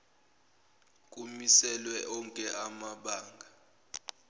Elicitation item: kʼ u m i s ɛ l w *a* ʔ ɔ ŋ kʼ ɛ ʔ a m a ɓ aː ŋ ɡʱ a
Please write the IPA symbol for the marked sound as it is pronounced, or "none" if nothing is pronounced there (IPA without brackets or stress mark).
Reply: ɛ